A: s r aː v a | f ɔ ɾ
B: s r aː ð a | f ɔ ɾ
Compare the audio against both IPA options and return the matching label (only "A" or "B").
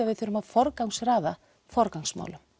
B